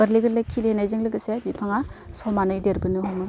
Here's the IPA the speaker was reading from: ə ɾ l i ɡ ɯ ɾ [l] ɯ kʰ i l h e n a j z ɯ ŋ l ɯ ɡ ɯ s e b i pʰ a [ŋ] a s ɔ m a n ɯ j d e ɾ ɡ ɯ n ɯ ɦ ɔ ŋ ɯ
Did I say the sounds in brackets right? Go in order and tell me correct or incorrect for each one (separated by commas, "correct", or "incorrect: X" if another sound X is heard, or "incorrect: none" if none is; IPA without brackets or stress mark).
correct, correct